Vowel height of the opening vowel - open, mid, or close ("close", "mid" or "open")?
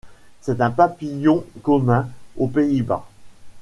mid